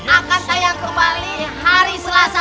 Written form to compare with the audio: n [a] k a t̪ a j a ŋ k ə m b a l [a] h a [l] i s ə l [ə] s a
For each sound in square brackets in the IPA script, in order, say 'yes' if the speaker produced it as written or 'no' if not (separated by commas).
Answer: yes, no, no, no